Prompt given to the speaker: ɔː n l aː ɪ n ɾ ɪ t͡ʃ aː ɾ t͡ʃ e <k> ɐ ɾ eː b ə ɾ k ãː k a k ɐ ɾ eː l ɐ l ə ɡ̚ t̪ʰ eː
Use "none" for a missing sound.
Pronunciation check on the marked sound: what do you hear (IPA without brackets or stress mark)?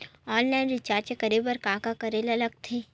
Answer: k